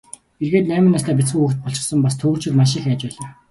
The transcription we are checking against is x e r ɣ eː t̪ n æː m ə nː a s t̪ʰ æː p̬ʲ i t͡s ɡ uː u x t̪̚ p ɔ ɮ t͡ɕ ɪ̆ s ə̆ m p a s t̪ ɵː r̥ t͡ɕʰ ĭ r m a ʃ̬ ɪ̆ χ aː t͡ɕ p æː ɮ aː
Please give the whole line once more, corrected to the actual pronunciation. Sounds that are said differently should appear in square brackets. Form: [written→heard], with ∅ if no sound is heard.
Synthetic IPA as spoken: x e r ɣ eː t̪ n æː m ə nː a s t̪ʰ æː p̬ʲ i t͡s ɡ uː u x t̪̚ p ɔ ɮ t͡ɕ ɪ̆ s ə̆ m p a s [t̪→t̪ʰ] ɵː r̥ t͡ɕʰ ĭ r m a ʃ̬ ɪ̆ [χ→x] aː t͡ɕ p æː ɮ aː